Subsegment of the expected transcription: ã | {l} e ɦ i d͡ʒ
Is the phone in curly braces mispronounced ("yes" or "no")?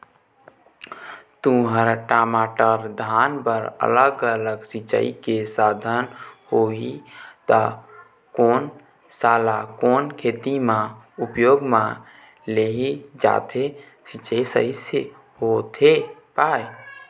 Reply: no